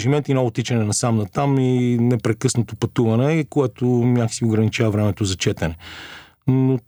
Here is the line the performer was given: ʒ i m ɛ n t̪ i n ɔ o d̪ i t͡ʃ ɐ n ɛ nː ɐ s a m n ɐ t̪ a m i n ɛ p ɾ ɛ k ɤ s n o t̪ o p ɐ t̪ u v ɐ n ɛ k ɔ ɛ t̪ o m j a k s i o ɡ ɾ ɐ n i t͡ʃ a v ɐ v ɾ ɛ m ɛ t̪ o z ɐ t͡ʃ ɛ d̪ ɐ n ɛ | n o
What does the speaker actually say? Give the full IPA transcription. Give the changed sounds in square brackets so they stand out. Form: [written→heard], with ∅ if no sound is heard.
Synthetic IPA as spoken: ʒ i m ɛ n t̪ i n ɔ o [d̪→t̪] i t͡ʃ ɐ n ɛ [nː→n] ɐ s a m n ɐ t̪ a m i n ɛ p ɾ ɛ k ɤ s n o t̪ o p ɐ t̪ u v ɐ n ɛ k [ɔ→o] ɛ t̪ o m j a k s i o ɡ ɾ ɐ n i t͡ʃ a v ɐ v ɾ ɛ m ɛ t̪ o z ɐ t͡ʃ ɛ [d̪→t̪] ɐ n ɛ | n o